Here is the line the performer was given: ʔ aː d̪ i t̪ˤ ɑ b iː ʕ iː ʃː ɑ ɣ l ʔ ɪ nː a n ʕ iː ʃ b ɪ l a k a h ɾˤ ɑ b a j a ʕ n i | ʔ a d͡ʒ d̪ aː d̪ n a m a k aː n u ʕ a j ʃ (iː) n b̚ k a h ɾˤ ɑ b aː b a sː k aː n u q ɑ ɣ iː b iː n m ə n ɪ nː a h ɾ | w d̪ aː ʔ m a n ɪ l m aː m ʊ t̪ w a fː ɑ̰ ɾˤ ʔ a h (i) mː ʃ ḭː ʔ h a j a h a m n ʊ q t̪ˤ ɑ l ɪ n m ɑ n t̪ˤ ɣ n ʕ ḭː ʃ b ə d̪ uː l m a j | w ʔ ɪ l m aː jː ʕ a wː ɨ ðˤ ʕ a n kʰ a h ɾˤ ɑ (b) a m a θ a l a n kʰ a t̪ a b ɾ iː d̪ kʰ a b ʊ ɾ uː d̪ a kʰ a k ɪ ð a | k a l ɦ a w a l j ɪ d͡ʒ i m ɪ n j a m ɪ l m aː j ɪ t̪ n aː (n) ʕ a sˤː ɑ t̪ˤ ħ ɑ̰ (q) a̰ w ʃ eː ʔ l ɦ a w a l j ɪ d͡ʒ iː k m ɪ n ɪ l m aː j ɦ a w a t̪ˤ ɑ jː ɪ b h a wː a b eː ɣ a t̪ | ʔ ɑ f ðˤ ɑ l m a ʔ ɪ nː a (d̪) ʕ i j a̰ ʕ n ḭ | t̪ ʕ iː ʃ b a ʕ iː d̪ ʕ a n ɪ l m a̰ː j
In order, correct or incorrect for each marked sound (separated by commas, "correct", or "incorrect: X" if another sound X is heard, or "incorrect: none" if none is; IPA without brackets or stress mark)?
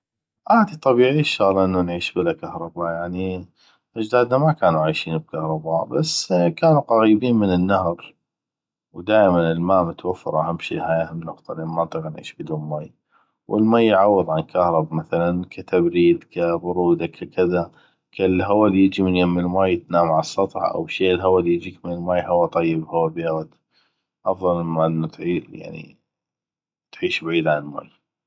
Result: correct, incorrect: a, correct, incorrect: m, incorrect: ʔ, incorrect: t̪